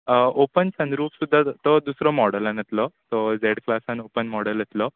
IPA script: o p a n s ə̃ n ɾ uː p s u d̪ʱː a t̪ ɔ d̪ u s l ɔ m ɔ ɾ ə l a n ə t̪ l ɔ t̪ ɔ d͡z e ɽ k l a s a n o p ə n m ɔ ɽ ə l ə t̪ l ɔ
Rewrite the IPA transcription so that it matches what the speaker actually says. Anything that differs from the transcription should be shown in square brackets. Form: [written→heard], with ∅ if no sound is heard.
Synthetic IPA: o p [a→ə] n s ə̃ n ɾ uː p s u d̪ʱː a t̪ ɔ d̪ u s [l→ɾ] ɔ m ɔ [ɾ→ɽ] ə l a n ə t̪ l ɔ t̪ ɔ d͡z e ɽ k l a s a n o p ə n m ɔ ɽ ə l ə t̪ l ɔ